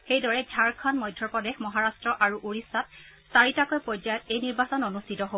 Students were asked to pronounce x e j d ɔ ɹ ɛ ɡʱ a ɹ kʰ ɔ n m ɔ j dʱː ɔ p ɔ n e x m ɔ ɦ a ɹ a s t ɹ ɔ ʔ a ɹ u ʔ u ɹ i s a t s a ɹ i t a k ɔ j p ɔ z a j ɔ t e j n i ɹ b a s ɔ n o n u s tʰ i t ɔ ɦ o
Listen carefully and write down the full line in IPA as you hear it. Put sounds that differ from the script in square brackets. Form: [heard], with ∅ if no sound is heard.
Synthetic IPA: x e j d ɔ ɹ ɛ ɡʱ a ɹ kʰ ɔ n m ɔ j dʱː ɔ p ɔ [d] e x m ɔ ɦ a ɹ a s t ɹ ɔ ʔ a ɹ u ʔ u ɹ i s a t s a ɹ i t a k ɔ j p ɔ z a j ɔ t e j n i ɹ b a s ɔ n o n u s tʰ i t ɔ ɦ o